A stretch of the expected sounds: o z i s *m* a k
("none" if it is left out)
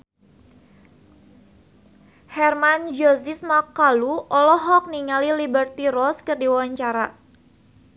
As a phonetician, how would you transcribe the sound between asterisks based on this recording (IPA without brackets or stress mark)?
m